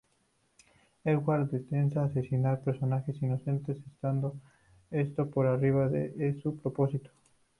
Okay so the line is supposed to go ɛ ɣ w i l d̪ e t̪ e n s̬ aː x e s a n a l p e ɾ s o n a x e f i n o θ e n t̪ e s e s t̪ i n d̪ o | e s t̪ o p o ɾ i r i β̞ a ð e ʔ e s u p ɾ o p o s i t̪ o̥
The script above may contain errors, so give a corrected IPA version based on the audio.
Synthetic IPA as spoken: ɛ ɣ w a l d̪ e t̪ e n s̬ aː s e s i n a ɾ p e ɾ s o n a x e s i n o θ e n t̪ e s e s t̪ a n d̪ o | e s t̪ o p o ɾ a r i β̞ a ð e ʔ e s u p ɾ o p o s i t̪ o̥